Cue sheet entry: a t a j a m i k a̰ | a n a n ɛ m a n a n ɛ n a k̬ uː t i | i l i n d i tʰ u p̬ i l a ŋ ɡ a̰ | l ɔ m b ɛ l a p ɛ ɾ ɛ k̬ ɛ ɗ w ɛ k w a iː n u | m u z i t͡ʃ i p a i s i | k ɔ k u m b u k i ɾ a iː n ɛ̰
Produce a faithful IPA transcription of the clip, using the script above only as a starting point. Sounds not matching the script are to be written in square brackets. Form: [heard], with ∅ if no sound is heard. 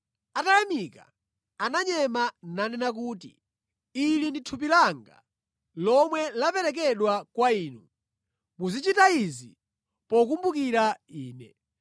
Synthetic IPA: a t a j a m i k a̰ | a n a [ɲ] ɛ m a n a n ɛ n a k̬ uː t i | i l i n d i tʰ u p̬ i l a ŋ ɡ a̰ | l ɔ m [w] ɛ l a p ɛ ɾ ɛ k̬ ɛ ɗ w [a] k w a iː n u | m u z i t͡ʃ i [t] a i [z] i | [p] ɔ k u m b u k i ɾ a iː n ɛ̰